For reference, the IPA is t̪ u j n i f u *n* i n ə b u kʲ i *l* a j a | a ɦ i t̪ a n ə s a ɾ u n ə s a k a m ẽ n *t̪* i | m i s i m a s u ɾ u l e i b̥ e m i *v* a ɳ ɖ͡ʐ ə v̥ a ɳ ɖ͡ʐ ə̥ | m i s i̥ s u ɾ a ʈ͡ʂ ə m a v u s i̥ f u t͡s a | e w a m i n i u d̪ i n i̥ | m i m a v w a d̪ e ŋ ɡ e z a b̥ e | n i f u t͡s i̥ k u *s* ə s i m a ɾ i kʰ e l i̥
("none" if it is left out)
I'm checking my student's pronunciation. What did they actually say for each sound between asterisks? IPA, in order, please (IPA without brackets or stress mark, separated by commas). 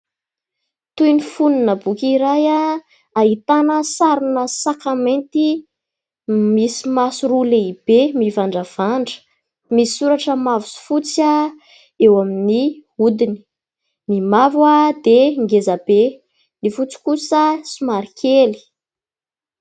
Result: n, ɾ, t̪, v, s